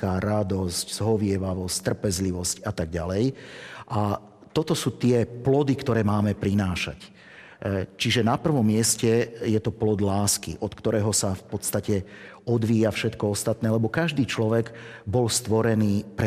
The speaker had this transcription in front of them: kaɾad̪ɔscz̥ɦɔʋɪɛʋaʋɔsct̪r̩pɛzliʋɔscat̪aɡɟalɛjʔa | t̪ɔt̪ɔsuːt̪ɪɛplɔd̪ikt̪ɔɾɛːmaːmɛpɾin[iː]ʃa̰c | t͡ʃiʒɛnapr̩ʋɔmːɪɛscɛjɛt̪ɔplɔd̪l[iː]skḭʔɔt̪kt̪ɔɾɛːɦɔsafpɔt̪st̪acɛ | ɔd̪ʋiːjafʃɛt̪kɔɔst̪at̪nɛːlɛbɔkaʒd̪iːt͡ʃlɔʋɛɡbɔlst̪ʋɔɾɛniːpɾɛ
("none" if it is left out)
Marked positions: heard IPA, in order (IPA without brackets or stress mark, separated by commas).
aː, aː